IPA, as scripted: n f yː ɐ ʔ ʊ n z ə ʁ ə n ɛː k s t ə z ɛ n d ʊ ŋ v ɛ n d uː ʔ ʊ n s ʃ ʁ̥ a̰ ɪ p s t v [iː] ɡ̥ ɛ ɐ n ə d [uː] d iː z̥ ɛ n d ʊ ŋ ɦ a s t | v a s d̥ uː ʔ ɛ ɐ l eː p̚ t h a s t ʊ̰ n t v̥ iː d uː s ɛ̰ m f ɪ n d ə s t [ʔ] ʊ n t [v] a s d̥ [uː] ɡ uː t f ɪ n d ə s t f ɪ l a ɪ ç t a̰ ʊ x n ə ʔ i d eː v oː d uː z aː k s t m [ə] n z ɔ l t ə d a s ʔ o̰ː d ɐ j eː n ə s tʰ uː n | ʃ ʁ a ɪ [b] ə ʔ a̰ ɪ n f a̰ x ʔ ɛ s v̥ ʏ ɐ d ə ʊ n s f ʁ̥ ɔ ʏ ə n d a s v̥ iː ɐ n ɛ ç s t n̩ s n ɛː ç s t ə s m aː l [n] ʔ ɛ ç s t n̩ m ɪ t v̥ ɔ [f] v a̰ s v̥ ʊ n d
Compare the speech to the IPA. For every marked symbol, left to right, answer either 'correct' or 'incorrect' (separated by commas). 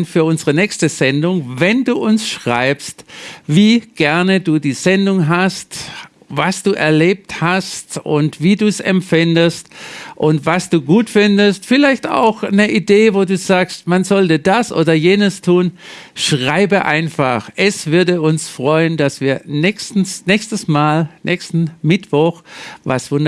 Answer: correct, correct, correct, correct, correct, incorrect, correct, correct, incorrect